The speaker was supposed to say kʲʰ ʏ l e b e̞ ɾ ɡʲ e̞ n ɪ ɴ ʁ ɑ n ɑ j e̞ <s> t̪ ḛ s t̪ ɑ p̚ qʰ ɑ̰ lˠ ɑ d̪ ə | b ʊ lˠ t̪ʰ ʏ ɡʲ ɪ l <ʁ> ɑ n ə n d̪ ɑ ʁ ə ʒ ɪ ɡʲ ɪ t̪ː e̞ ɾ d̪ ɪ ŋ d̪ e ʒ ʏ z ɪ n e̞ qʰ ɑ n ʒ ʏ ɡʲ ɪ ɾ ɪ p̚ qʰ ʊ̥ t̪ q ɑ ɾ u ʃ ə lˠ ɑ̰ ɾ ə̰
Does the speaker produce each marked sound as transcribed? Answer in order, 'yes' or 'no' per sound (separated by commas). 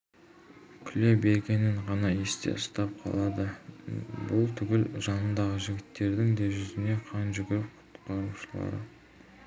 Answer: yes, no